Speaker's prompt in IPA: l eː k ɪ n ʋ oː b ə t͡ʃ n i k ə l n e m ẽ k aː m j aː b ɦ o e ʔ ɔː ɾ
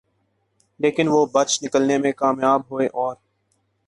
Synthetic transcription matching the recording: l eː k ɪ n ʋ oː b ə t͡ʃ n ɪ k ə l n e m ẽ k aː m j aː b ɦ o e ʔ ɔː ɾ